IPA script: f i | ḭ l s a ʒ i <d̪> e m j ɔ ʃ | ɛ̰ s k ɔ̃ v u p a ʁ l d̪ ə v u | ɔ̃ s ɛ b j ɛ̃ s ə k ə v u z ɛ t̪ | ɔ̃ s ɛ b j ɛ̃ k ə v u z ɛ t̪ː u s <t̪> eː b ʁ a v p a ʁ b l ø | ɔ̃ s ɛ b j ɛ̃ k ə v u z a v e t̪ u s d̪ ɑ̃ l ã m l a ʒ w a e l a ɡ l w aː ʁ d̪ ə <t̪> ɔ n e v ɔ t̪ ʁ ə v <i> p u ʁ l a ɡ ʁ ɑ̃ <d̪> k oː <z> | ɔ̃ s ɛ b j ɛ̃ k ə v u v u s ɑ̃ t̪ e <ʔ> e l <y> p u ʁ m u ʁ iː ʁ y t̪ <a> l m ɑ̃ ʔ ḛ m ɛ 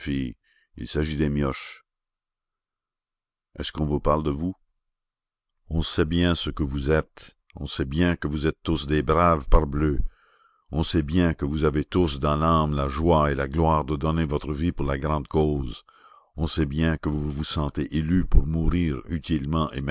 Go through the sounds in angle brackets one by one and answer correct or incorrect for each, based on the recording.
correct, incorrect: d̪, incorrect: d̪, correct, correct, correct, correct, correct, incorrect: i

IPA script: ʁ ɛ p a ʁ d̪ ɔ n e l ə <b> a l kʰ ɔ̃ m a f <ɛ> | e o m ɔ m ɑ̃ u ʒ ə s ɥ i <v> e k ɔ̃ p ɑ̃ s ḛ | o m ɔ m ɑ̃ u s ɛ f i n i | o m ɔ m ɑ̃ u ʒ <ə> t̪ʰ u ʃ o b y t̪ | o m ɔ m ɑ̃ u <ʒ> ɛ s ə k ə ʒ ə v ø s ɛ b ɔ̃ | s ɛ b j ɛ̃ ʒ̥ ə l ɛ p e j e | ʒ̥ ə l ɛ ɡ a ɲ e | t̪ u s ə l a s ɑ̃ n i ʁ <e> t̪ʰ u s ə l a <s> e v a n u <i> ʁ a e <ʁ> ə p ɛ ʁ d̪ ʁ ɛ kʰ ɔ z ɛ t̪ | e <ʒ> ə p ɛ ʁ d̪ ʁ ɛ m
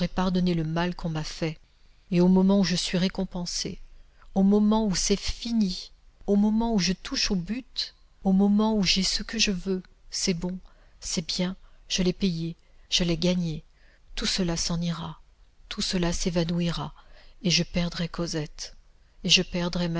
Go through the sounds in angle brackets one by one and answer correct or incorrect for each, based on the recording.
incorrect: m, correct, incorrect: ʁ, correct, correct, incorrect: a, correct, correct, incorrect: ʒ, correct

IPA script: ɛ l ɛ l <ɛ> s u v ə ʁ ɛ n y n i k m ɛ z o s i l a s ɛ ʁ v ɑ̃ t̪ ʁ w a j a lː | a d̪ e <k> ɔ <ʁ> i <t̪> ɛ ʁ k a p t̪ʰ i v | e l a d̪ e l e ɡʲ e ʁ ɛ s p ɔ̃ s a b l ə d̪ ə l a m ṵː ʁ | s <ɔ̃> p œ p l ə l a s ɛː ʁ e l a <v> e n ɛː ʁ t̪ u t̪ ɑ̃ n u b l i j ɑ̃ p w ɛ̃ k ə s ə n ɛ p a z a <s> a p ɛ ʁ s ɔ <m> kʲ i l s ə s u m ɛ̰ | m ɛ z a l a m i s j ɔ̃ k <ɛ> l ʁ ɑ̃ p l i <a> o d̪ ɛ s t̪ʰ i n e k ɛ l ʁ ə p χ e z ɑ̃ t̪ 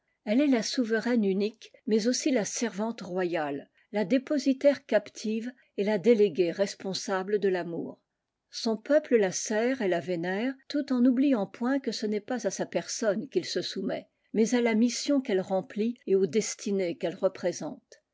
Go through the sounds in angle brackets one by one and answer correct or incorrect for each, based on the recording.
incorrect: a, incorrect: p, incorrect: z, correct, correct, correct, correct, incorrect: n, correct, incorrect: e

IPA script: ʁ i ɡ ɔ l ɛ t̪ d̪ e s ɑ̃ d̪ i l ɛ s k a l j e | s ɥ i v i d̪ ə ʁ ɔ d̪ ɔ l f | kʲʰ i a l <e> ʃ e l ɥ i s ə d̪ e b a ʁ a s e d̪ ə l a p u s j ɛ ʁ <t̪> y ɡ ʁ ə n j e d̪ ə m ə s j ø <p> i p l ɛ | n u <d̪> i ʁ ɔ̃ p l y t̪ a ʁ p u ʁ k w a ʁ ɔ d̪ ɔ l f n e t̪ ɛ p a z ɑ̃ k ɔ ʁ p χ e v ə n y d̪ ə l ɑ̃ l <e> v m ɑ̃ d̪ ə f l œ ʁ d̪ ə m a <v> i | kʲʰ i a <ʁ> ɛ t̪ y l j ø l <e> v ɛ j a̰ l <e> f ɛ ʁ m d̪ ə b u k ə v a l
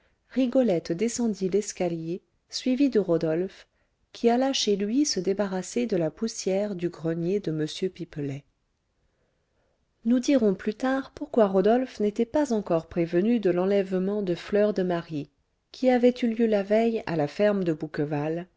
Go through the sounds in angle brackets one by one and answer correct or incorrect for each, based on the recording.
incorrect: a, incorrect: d̪, correct, correct, incorrect: ɛ, incorrect: ʁ, incorrect: v, incorrect: a, incorrect: a

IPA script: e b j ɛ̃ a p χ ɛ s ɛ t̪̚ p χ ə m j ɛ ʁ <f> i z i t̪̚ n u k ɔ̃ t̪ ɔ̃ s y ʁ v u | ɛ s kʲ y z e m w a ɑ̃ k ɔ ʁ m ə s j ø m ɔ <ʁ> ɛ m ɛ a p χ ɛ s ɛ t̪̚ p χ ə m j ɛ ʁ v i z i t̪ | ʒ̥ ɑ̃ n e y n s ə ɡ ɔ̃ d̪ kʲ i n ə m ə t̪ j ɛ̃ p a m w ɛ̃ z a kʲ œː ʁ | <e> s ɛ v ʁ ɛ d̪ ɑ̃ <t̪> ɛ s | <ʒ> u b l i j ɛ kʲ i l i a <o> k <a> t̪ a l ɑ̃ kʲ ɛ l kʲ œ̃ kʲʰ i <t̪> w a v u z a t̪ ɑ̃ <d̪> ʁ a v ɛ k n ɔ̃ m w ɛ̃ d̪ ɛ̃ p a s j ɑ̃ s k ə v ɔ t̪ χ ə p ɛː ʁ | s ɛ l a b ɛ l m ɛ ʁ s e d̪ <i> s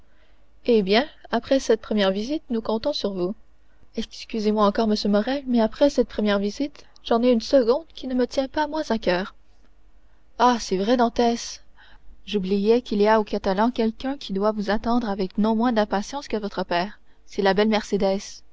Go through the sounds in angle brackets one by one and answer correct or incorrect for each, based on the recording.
incorrect: v, correct, incorrect: a, correct, correct, correct, correct, incorrect: d̪, correct, incorrect: ɛ

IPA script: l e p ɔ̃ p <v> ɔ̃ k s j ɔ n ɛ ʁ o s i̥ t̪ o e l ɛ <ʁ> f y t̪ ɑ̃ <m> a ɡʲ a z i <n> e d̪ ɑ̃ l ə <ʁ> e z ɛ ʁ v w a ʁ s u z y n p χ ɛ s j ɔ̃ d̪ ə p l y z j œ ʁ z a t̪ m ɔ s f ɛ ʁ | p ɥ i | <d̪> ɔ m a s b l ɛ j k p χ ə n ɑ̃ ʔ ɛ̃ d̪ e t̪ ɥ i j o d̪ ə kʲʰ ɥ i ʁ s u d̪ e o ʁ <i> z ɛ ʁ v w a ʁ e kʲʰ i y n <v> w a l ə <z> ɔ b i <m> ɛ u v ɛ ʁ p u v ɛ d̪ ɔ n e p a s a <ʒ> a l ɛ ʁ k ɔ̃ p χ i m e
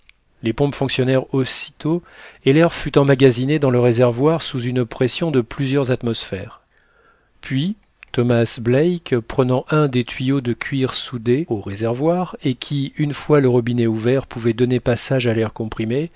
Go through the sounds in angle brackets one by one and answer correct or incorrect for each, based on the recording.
incorrect: f, correct, correct, correct, correct, incorrect: t̪, incorrect: e, incorrect: f, incorrect: ʁ, incorrect: n, correct

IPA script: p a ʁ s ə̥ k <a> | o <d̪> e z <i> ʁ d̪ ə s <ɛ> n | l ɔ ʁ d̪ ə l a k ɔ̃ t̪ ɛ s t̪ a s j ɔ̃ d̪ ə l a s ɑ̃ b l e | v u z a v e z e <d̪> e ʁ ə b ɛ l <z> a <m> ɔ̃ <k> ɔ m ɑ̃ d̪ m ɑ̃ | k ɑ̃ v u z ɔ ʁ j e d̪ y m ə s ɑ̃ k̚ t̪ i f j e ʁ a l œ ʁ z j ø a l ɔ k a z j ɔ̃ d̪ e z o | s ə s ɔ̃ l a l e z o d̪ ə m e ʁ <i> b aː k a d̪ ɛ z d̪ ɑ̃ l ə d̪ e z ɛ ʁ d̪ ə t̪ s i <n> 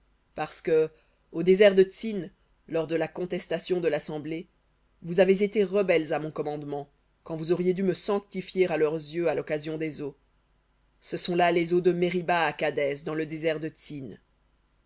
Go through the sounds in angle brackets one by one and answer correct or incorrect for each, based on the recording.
incorrect: ə, correct, incorrect: ɛ, incorrect: i, incorrect: t̪, correct, correct, correct, correct, correct

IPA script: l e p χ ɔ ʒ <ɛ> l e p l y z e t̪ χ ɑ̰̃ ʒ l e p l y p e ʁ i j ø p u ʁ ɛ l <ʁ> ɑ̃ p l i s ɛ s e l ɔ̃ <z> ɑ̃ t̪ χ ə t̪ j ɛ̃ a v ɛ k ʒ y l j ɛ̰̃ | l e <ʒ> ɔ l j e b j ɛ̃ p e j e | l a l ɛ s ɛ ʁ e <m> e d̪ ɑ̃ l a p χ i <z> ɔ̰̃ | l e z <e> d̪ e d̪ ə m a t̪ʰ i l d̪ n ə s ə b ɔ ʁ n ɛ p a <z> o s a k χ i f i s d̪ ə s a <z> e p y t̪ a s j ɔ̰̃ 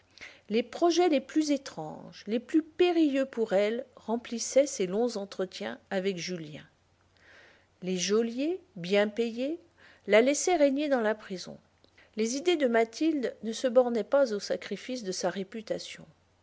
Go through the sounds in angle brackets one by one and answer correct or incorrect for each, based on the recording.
correct, correct, correct, correct, incorrect: ɲ, correct, incorrect: i, correct, incorrect: ʁ

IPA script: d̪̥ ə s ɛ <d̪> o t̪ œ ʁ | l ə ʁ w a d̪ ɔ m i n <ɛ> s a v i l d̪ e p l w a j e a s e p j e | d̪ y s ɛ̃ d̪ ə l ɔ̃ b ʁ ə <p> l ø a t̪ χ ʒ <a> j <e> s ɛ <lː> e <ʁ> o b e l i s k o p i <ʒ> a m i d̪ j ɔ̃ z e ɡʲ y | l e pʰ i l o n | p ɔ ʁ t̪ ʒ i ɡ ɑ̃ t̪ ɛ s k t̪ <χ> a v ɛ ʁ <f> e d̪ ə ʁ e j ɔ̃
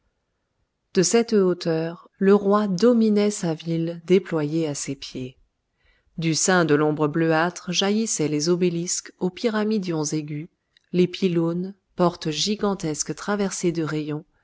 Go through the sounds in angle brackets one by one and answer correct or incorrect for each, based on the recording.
incorrect: t̪, correct, incorrect: b, correct, incorrect: i, incorrect: l, incorrect: z, incorrect: ʁ, correct, incorrect: s

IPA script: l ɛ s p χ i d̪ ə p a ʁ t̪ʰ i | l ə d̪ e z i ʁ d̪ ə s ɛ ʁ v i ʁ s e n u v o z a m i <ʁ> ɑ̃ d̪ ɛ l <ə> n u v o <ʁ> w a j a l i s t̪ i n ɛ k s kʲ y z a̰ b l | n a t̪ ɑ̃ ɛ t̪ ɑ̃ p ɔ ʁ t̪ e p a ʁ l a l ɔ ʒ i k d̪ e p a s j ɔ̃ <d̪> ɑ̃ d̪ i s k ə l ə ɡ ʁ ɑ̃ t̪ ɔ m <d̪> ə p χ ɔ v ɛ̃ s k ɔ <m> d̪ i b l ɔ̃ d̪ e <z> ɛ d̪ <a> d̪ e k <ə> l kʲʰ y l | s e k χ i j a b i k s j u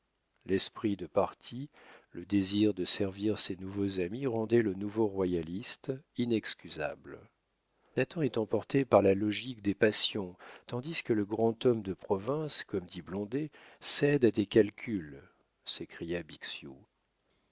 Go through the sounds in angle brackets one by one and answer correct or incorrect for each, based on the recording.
correct, correct, correct, incorrect: t̪, correct, correct, incorrect: s, correct, incorrect: a

